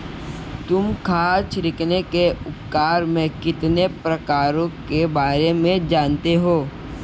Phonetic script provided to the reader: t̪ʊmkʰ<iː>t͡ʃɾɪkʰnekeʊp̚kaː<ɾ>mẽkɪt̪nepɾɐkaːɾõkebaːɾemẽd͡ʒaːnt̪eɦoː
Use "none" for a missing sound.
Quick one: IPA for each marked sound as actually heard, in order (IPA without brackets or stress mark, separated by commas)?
aː, ɾ